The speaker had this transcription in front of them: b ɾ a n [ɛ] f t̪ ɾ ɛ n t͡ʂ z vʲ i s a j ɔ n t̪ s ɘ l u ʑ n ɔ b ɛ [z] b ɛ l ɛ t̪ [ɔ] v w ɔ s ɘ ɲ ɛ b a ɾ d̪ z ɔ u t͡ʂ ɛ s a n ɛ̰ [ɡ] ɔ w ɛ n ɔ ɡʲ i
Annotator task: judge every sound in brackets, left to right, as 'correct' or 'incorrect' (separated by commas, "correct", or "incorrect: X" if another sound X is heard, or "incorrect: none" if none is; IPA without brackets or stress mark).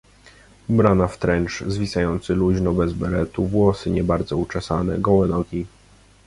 incorrect: a, correct, incorrect: u, correct